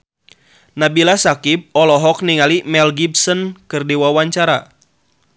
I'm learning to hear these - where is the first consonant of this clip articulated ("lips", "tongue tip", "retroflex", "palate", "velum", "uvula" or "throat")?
tongue tip